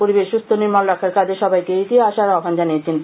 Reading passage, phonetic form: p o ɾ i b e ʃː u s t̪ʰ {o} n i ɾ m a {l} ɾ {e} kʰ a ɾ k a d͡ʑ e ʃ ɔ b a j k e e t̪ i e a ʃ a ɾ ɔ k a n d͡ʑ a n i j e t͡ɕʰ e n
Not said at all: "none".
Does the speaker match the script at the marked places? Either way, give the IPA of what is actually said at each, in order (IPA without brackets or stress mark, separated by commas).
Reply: o, l, a